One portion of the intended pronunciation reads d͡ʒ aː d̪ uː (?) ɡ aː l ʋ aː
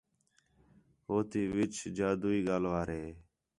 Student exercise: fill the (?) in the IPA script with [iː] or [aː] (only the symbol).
iː